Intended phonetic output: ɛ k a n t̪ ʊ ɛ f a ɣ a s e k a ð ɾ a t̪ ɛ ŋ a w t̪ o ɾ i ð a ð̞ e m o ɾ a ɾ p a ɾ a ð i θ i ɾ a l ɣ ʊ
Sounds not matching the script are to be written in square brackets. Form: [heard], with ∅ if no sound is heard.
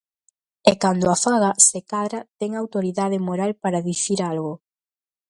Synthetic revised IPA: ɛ k a n [d̪] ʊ [a] f a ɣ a s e k a ð ɾ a t̪ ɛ ŋ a w t̪ o ɾ i ð a ð̞ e m o ɾ a [l] p a ɾ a ð i θ i ɾ a l ɣ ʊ